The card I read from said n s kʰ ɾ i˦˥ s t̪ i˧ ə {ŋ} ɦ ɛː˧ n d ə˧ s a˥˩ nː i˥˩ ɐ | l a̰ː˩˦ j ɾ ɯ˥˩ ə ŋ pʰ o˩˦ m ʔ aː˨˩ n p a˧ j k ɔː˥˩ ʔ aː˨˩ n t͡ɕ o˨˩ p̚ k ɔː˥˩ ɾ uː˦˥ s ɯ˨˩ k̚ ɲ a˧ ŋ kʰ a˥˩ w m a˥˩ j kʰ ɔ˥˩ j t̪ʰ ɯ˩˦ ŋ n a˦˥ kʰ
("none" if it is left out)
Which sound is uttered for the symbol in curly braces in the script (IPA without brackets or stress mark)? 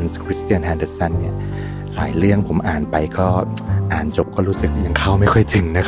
n